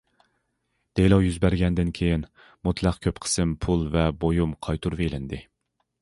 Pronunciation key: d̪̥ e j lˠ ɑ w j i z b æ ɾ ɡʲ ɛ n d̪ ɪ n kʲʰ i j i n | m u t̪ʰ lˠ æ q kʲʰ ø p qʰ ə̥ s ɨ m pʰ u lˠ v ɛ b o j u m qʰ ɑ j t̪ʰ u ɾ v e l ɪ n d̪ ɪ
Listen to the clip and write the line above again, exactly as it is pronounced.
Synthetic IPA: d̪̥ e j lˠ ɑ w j y z b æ ɾ ɡʲ ɛ n d̪ ɪ n kʲʰ e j i n | m u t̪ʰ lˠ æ q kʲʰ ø p qʰ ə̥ s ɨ m pʰ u lˠ v ɛ b o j u m qʰ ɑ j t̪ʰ u ɾ v e l ɪ n d̪ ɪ